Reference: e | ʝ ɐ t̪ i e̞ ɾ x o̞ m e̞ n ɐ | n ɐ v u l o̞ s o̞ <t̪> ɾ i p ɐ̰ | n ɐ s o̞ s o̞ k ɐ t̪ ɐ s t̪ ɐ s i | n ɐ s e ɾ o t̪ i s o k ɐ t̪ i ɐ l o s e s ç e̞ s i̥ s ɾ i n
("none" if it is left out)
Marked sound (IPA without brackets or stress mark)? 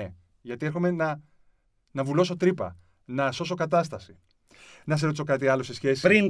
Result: t̪